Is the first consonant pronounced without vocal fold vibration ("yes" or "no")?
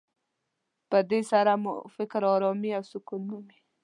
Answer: yes